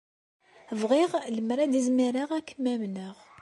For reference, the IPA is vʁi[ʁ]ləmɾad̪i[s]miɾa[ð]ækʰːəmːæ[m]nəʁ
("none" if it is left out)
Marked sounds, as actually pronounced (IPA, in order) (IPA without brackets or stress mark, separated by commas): ʁ, z, ʁ, m